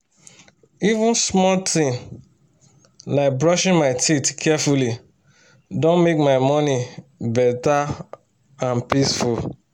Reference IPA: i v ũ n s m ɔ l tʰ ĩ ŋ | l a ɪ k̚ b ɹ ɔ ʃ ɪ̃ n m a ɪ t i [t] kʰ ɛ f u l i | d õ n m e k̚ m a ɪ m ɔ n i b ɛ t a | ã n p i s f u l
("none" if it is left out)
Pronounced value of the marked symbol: t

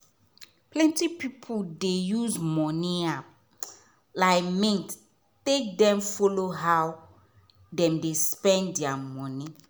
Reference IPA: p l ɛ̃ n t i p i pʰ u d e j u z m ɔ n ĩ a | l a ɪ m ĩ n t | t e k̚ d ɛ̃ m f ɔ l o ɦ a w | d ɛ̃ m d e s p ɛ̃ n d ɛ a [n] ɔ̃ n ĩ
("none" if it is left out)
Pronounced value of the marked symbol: m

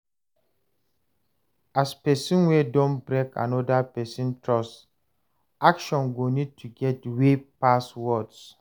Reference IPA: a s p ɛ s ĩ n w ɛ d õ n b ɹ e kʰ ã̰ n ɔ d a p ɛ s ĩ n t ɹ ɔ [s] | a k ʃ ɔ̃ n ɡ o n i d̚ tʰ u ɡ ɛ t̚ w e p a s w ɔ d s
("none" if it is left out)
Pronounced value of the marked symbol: s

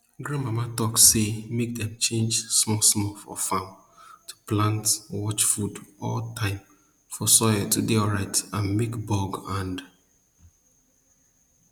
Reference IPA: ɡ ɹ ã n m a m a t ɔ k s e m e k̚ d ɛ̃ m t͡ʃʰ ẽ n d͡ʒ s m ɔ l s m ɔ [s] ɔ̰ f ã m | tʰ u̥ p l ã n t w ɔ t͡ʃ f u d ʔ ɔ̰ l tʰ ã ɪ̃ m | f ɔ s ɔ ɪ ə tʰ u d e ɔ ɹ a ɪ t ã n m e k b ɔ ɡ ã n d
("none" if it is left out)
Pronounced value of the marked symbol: f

